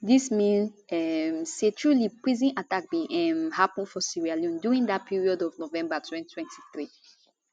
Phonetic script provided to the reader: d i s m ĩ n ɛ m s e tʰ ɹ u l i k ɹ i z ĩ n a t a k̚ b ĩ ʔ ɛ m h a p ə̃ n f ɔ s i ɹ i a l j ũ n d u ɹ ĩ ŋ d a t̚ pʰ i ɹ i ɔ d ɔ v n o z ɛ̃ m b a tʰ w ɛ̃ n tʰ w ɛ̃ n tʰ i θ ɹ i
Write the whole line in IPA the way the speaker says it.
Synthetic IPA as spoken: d i s m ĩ n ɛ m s e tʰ ɹ u l i p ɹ i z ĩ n a t a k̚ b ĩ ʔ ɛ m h a p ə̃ n f ɔ s i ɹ i a l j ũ n d u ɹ ĩ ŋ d a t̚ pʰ i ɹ i ɔ d ɔ v n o v ɛ̃ m b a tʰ w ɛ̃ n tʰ w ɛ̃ n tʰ i θ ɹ i